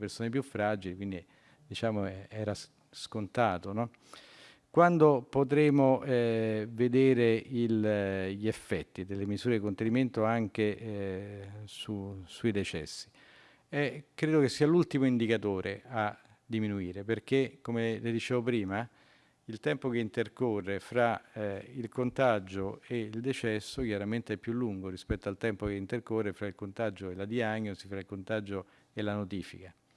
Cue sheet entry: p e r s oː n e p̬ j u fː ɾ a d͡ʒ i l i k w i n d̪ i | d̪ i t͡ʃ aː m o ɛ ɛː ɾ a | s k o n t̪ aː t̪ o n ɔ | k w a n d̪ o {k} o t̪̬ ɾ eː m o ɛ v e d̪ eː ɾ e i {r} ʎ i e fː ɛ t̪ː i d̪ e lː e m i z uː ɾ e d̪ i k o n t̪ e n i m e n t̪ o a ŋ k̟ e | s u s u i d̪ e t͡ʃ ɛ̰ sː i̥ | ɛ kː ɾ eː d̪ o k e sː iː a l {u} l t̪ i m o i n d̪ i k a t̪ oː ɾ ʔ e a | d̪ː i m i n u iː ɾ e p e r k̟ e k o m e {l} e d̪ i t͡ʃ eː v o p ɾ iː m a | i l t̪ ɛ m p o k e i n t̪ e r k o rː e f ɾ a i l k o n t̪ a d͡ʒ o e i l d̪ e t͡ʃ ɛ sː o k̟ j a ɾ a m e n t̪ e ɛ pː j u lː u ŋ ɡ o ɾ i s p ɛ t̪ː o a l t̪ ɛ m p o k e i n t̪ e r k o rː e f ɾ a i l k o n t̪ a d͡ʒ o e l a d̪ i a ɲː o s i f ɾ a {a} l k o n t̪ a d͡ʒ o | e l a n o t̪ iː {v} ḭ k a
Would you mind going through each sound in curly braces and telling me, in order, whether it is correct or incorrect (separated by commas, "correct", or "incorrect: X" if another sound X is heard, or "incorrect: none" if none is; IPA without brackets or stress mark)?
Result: incorrect: p, incorrect: l, correct, correct, incorrect: i, incorrect: f